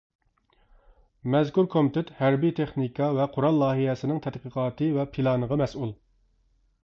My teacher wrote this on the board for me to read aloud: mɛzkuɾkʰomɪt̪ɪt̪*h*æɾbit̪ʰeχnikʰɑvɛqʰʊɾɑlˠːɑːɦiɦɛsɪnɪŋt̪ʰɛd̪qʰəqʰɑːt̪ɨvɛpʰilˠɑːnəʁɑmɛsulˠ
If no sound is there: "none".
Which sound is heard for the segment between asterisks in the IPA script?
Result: h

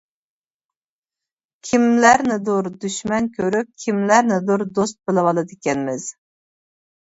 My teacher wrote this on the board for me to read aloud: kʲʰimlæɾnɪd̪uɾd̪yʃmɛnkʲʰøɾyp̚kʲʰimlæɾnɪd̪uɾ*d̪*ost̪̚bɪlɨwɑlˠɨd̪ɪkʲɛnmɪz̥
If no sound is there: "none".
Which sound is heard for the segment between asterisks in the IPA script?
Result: d̪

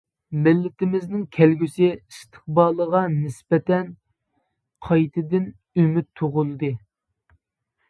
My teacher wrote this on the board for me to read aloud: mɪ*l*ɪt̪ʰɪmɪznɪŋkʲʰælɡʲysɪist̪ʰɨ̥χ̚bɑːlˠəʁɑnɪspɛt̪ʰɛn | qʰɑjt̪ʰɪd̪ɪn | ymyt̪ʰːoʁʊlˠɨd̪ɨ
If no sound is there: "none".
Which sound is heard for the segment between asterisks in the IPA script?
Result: lː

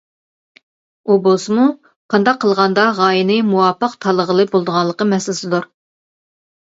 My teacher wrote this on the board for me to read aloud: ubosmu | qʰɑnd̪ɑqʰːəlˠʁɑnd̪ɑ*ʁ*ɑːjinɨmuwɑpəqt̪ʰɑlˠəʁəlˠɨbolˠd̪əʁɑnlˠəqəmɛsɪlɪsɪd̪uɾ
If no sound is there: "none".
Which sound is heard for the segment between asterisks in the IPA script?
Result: ʁ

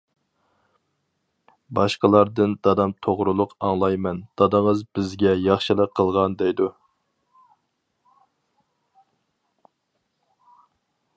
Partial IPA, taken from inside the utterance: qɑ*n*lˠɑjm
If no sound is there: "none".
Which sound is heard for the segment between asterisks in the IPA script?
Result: ŋ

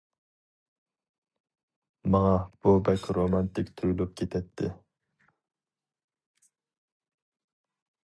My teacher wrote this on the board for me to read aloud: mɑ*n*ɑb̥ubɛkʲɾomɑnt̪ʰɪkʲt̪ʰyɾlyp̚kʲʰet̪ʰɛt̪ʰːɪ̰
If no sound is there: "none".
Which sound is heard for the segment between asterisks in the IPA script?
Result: ŋ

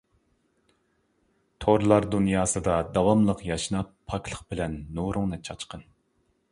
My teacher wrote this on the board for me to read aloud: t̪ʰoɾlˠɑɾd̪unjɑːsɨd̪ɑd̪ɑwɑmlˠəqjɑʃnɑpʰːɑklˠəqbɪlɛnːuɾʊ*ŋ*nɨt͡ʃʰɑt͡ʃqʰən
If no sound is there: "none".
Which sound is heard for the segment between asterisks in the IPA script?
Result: ŋ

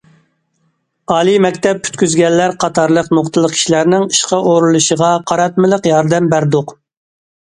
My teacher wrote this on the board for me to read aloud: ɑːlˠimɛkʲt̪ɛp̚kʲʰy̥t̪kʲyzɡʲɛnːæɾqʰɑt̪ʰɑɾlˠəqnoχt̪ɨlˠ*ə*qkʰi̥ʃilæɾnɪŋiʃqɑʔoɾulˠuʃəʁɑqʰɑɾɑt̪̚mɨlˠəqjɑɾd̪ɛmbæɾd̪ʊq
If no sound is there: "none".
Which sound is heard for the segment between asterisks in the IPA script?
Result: ə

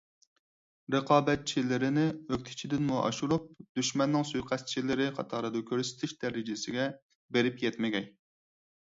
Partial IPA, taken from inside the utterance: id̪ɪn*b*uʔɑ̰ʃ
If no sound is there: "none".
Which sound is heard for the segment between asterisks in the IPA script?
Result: m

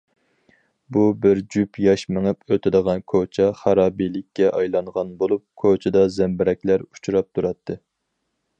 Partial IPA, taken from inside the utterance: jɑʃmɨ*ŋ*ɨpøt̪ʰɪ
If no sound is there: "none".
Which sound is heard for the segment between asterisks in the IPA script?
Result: ŋ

